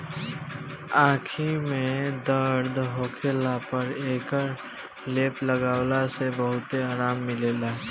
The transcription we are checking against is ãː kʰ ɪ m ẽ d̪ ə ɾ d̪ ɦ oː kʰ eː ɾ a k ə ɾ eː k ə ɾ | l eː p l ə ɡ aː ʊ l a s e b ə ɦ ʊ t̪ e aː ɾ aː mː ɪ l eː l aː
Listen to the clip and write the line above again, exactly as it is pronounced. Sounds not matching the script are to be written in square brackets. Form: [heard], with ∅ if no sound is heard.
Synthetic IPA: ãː kʰ [i] m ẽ d̪ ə ɾ d̪ ɦ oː kʰ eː [l] a [p] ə ɾ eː k ə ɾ | l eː p l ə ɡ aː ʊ l a s e b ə ɦ ʊ t̪ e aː ɾ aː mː ɪ l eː l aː